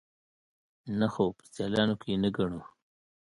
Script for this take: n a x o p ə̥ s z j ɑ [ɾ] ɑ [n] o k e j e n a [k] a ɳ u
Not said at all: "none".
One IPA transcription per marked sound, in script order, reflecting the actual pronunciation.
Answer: l, n, ɡ

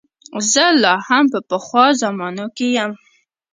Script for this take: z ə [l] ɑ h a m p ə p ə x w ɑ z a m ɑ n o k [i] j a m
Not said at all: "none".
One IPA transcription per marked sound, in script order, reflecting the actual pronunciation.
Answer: l, e

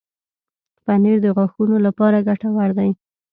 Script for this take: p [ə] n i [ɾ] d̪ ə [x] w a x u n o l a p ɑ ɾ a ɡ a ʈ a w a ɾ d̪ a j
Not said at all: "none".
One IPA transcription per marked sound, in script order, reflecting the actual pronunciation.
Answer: a, ɾ, ɣ

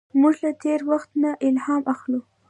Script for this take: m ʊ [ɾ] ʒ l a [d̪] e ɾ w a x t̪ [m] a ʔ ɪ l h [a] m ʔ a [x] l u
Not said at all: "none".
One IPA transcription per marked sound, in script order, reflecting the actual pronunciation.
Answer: none, t̪, n, ɑ, x

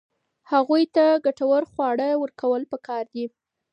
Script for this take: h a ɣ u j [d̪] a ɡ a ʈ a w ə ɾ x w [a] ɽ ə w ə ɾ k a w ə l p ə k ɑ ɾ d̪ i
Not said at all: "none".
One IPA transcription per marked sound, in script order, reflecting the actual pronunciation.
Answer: t̪, ɑ

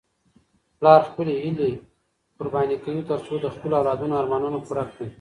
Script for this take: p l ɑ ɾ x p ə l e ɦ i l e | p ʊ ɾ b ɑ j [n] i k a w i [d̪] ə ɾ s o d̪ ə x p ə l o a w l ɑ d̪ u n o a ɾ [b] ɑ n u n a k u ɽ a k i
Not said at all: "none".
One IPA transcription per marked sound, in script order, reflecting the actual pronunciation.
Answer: n, t̪, m

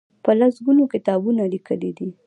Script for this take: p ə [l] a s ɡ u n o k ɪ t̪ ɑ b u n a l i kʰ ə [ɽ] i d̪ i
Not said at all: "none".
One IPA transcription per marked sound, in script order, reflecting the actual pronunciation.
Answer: l, l

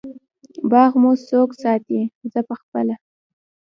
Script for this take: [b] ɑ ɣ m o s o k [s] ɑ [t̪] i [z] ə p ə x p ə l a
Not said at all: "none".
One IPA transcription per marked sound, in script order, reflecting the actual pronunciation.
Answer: b, s, t̪, z

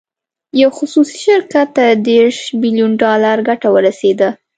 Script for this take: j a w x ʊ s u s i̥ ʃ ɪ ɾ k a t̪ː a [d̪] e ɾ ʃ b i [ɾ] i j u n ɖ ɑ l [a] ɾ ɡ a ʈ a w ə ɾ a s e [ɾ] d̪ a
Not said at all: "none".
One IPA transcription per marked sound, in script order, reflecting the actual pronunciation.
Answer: d̪, l, a, none

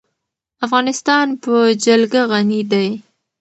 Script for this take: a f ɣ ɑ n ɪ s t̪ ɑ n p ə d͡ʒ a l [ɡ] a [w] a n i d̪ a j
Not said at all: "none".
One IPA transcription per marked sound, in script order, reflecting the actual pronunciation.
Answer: ɡ, ɣ

